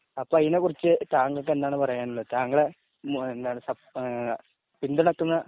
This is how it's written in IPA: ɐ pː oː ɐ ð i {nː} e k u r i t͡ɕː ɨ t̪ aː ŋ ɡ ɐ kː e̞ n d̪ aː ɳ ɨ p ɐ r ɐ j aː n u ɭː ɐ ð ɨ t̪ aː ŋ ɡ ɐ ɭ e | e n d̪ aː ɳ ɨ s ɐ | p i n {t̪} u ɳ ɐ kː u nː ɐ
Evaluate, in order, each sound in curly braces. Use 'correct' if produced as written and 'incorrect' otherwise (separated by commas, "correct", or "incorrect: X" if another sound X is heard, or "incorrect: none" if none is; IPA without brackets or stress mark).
incorrect: n, incorrect: d̪